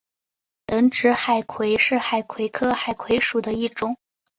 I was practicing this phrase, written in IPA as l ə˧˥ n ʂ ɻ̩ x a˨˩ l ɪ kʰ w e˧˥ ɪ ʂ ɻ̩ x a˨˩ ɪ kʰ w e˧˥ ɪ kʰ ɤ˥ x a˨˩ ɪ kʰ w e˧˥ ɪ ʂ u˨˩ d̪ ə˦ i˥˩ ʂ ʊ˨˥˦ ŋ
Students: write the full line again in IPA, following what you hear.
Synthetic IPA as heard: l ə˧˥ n ʈ͡ʂ ɻ̩ x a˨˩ ɪ kʰ w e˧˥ ɪ ʂ ɻ̩ x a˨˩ ɪ kʰ w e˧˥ ɪ kʰ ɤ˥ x a˨˩ ɪ kʰ w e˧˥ ɪ ʂ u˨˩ d̪ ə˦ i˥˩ ʈ͡ʂ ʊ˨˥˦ ŋ